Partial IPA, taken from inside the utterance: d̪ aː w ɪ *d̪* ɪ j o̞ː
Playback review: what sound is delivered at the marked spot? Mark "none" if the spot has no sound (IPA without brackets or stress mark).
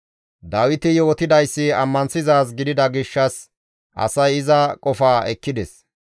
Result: t̪